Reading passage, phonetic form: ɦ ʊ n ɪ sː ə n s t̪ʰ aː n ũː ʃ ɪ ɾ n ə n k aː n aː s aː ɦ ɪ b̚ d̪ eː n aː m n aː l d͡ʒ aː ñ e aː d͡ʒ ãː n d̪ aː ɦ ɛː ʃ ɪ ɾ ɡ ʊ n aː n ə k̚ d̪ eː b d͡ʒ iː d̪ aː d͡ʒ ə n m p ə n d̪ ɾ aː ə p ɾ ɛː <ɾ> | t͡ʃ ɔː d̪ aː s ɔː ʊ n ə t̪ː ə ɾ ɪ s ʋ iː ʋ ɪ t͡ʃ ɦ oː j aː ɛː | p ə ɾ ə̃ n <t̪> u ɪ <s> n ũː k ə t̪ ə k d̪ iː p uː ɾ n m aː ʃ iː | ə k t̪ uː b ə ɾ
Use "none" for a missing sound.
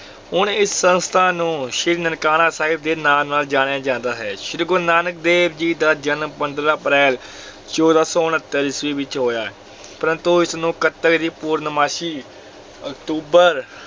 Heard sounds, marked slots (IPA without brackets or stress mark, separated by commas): l, t̪, s